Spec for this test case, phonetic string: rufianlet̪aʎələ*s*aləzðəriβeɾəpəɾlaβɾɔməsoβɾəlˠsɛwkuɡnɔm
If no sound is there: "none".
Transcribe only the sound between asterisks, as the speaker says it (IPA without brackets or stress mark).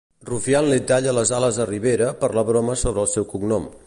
z